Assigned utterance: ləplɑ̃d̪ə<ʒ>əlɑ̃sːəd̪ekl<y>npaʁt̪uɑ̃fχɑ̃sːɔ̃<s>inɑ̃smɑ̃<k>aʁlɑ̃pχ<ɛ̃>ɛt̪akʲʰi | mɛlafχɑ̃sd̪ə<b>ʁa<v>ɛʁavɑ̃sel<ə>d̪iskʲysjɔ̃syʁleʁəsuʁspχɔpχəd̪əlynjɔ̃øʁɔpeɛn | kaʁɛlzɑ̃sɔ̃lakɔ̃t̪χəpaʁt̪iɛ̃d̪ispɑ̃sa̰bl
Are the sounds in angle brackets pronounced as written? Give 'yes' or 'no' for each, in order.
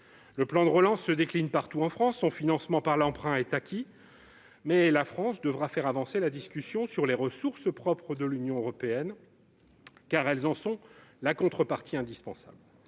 no, no, no, no, yes, no, no, no

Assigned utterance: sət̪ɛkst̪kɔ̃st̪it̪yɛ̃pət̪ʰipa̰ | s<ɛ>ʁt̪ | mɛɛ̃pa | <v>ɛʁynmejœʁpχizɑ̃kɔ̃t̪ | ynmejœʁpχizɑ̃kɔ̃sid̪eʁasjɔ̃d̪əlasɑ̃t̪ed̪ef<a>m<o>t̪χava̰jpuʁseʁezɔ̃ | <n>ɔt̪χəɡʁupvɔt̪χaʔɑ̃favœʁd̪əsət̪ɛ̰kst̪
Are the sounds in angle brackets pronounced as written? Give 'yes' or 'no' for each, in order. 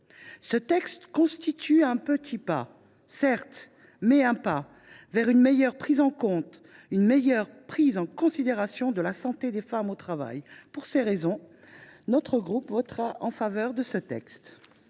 yes, yes, yes, yes, yes

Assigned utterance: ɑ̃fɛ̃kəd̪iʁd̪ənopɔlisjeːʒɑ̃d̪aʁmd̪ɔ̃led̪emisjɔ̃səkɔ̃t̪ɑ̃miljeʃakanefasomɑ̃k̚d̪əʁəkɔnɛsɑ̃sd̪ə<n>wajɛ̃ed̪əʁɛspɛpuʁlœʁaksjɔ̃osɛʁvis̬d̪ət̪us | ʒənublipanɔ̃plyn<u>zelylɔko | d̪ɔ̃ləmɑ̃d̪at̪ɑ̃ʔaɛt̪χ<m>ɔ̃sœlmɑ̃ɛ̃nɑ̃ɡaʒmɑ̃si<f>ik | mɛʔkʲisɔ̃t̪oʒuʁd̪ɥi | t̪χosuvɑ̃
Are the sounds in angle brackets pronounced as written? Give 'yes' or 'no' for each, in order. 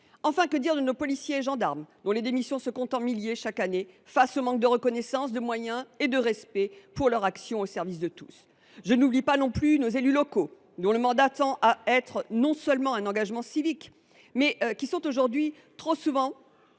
no, no, no, no

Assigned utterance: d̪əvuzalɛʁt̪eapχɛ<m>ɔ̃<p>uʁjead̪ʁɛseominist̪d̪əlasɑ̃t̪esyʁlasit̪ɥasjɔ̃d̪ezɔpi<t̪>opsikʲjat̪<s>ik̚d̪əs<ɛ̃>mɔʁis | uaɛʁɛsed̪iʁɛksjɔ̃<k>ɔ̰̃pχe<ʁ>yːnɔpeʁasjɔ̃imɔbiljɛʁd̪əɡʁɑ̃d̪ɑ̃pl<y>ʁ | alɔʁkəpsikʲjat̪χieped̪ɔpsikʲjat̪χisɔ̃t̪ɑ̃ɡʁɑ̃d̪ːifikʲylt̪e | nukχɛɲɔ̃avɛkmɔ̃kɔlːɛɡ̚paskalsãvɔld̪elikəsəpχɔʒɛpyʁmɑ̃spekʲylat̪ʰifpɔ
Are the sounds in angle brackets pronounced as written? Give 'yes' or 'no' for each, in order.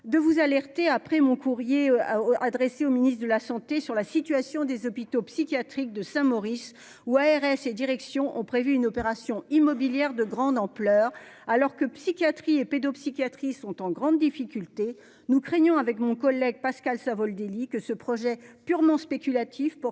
yes, no, yes, no, yes, no, no, no

